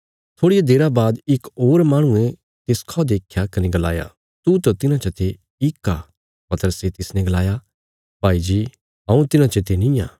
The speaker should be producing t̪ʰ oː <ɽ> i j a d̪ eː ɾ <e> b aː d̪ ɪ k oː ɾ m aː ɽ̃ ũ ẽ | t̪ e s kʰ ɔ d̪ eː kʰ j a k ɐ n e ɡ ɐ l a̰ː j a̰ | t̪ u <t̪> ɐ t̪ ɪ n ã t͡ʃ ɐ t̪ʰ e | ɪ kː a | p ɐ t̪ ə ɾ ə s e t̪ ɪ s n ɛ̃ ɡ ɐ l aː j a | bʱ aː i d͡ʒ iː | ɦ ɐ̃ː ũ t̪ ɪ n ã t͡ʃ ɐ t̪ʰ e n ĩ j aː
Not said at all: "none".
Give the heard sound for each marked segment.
ɽ, a, t̪

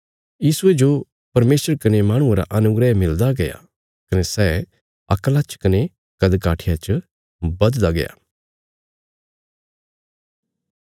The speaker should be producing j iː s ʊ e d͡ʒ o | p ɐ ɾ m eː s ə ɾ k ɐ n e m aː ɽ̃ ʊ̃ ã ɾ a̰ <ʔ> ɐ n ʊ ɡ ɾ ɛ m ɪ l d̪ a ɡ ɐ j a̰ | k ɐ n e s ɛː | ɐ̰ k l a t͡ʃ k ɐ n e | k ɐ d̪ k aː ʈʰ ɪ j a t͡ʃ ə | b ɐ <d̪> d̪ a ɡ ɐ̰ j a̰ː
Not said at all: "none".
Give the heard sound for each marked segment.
ʔ, d̪

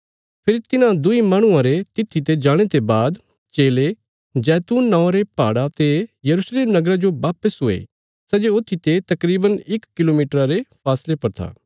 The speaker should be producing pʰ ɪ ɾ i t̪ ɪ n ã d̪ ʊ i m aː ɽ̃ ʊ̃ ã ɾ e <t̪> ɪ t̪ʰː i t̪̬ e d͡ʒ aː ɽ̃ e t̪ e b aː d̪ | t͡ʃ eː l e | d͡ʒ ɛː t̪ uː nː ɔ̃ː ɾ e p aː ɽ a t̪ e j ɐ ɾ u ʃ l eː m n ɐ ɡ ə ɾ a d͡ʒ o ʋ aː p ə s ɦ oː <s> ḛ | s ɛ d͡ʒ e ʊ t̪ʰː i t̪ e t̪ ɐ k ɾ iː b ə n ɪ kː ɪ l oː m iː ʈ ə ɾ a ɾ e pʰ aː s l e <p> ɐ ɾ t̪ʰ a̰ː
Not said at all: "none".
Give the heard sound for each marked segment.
t̪, none, p

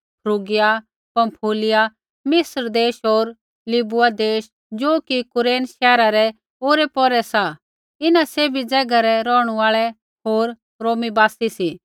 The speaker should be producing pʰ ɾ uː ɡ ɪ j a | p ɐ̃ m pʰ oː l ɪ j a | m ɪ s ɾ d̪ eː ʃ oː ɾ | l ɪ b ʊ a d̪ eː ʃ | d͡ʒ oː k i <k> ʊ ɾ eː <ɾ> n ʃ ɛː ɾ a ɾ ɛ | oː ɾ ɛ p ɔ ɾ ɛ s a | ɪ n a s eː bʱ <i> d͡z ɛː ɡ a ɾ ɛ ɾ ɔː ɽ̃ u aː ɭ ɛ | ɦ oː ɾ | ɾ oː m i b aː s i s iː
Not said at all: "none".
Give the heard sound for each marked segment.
k, none, i

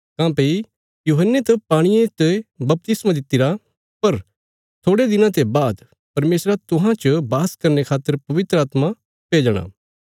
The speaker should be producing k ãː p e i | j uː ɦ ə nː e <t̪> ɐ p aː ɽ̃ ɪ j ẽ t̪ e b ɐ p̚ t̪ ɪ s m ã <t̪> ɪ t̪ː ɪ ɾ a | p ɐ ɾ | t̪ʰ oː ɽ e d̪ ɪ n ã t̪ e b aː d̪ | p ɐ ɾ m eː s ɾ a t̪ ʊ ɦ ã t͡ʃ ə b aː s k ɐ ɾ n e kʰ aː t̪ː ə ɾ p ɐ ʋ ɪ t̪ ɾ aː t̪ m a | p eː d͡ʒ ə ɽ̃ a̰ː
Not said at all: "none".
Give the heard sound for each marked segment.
t̪, d̪

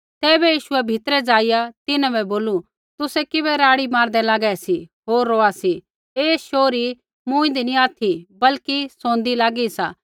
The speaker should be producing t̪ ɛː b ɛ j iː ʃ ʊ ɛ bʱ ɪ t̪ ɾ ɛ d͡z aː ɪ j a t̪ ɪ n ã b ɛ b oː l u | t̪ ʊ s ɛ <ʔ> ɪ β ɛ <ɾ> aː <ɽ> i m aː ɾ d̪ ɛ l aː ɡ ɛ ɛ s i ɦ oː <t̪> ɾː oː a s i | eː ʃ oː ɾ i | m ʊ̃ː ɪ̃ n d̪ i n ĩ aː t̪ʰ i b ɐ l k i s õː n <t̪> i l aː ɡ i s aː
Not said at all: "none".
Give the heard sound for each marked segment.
k, ɾ, ɽ, none, d̪

